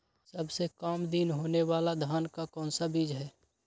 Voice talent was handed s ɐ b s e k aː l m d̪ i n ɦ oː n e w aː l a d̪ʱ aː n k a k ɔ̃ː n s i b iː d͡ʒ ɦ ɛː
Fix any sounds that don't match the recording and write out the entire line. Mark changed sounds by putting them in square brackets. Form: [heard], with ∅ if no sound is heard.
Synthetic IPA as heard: s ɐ b s e k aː [∅] m d̪ i n ɦ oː n e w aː l a d̪ʱ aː n k a k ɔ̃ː n s [a] b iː d͡ʒ ɦ ɛː